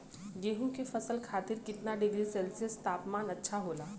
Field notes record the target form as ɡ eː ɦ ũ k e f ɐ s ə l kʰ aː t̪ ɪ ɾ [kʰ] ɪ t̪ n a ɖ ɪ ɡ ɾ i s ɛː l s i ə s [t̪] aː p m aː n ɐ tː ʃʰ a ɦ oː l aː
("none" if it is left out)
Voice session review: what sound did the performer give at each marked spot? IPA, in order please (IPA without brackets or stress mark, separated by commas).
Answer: k, t̪